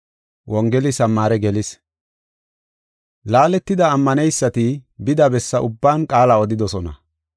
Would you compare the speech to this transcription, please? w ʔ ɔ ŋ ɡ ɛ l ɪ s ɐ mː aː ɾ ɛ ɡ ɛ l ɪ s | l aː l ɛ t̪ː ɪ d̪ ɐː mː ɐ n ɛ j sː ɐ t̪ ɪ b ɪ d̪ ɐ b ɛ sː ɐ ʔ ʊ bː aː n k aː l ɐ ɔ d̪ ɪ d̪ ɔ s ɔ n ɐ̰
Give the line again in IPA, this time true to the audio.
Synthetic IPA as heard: w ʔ ɔ ŋ ɡ ɛ l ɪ s ɐ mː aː ɾ ɛ ɡ ɛ l ɪ s | l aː l ɛ t̪ː ɪ d̪ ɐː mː ɐ n ɛ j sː ɐ t̪ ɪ b ɪ d̪ ɐ b ɛ sː ɐ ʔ ʊ bː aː n kʼ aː l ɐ ɔ d̪ ɪ d̪ ɔ s ɔ n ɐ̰